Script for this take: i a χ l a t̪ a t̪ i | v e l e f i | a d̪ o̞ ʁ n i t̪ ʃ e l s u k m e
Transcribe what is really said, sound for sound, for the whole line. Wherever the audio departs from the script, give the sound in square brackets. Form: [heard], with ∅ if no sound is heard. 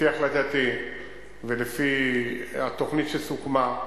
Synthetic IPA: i a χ l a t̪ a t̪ i | v e l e f i | a [t̪] o̞ [χ] n i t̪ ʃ e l s u k m [a]